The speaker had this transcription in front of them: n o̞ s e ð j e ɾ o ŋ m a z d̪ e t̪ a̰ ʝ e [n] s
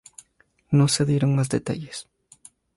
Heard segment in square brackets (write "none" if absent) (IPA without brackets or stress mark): none